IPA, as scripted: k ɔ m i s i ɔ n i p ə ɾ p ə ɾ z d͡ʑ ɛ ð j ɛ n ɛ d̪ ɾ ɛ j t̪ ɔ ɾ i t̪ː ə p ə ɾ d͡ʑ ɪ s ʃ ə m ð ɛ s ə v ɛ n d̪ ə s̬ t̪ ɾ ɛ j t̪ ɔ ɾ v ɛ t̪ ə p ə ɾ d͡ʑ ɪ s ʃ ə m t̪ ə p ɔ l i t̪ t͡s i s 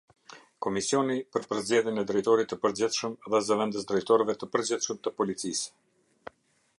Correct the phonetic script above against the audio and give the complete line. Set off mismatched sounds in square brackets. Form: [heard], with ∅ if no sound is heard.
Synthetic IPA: k ɔ m i s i ɔ n i p ə ɾ p ə ɾ z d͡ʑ ɛ ð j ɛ n ɛ d̪ ɾ ɛ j t̪ ɔ ɾ i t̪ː ə p ə ɾ d͡ʑ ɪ [θ] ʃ ə m ð ɛ [z] ə v ɛ n d̪ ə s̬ [d̪] ɾ ɛ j t̪ ɔ ɾ v ɛ t̪ ə p ə ɾ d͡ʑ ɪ [θ] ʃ ə m t̪ ə p ɔ l i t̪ t͡s i s